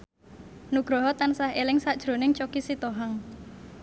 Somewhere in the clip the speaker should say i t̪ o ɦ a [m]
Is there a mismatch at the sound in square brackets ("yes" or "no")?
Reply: yes